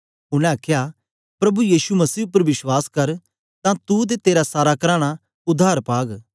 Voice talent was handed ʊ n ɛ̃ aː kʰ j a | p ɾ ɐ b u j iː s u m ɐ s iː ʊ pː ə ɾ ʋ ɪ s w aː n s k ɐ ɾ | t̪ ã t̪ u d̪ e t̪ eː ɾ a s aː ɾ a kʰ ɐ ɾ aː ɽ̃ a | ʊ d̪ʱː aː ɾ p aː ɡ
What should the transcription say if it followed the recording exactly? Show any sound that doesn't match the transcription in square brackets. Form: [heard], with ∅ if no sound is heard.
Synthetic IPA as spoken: ʊ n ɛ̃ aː kʰ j a | p ɾ ɐ b u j iː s u m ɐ s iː ʊ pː ə ɾ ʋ ɪ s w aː [∅] s k ɐ ɾ | t̪ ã t̪ u d̪ e t̪ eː ɾ a s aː ɾ a [k] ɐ ɾ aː ɽ̃ a | ʊ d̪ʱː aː ɾ p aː ɡ